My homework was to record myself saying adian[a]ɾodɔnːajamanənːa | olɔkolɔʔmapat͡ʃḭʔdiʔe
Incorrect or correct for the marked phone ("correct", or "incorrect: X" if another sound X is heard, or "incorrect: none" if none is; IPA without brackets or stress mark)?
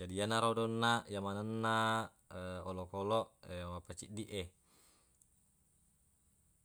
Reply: correct